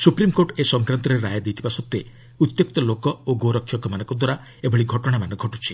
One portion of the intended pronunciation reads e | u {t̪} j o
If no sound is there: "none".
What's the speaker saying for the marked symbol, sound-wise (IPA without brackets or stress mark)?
t̪